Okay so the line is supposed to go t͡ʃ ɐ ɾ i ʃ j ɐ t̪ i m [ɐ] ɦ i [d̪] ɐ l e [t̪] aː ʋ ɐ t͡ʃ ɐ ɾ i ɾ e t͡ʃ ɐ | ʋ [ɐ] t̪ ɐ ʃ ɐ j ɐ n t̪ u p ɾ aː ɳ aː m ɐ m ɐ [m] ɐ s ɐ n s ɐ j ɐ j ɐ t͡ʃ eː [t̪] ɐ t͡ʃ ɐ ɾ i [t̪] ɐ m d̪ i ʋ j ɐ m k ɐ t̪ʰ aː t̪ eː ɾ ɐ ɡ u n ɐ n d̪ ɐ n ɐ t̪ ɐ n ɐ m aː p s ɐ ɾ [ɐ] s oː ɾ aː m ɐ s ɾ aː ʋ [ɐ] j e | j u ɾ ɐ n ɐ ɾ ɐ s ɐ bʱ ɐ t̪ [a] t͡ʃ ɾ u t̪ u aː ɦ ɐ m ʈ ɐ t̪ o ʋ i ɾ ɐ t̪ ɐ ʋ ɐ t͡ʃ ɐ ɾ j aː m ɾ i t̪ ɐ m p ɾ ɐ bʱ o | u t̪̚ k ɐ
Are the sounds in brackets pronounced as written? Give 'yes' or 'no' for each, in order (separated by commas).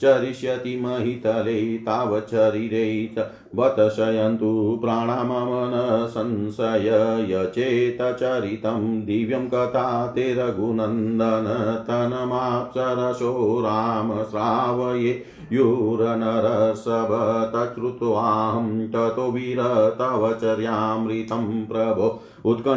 yes, no, yes, yes, no, yes, yes, yes, yes, no